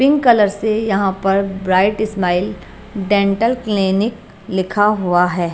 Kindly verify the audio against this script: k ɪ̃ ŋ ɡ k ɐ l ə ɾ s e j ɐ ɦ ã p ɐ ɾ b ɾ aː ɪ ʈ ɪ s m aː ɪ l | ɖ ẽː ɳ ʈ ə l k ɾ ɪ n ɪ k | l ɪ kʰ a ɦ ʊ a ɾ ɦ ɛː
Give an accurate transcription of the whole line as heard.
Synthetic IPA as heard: p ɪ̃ ŋ ɡ k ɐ l ə ɾ s e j ɐ ɦ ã p ɐ ɾ b ɾ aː ɪ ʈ ɪ s m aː ɪ l | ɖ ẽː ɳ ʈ ə l k l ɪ n ɪ k | l ɪ kʰ a ɦ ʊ a ɦ ɛː